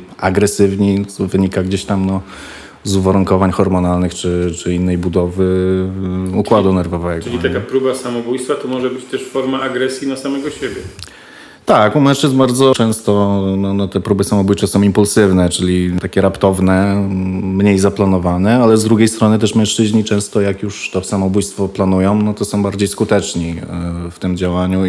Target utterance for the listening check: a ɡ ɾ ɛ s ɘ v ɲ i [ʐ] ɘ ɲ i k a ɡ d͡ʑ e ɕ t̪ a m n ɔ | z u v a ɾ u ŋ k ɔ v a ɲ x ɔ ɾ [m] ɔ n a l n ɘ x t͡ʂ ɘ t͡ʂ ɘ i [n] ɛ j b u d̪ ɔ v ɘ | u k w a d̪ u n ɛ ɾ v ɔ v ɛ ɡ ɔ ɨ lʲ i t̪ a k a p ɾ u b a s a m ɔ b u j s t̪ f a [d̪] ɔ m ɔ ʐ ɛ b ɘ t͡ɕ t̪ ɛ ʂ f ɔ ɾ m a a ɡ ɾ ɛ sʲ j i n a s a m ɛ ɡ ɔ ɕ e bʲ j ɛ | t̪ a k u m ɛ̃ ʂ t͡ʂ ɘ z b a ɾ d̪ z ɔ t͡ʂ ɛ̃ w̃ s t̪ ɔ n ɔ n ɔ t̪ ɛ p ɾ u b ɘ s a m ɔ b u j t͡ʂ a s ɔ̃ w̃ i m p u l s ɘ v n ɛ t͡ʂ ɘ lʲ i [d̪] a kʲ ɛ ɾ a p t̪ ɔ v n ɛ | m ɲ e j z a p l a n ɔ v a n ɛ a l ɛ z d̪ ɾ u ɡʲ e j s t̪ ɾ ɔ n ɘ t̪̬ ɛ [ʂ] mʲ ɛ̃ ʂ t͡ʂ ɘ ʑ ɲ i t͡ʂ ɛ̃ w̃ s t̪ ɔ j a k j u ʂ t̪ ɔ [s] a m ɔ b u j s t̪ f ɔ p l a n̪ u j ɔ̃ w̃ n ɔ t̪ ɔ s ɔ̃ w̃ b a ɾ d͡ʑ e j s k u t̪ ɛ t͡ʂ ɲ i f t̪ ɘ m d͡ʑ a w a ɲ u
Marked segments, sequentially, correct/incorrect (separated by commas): incorrect, correct, incorrect, incorrect, incorrect, correct, correct